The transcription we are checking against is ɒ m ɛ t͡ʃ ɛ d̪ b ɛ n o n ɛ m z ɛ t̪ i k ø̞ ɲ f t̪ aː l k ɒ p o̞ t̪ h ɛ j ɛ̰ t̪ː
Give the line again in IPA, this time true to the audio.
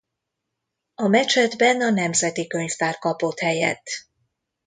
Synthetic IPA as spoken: ɒ m ɛ t͡ʃ ɛ d̪ b ɛ n ɒ n ɛ m z ɛ t̪ i k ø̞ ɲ f t̪ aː r k ɒ p o̞ t̪ h ɛ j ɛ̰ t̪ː